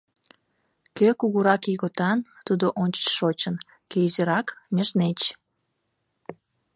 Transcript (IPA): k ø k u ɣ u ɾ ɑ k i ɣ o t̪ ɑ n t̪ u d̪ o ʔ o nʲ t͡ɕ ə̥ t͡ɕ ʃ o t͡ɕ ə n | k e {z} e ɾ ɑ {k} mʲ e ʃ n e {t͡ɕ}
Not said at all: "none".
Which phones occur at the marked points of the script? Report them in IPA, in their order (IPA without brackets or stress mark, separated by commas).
z, k, t͡ɕ